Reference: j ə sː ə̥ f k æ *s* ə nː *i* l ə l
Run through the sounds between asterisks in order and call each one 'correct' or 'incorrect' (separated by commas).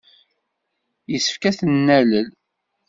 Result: incorrect, incorrect